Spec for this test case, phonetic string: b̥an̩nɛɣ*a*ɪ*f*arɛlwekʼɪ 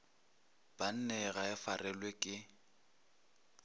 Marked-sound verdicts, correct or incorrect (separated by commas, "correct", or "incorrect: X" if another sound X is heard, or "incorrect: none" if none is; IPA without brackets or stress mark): correct, correct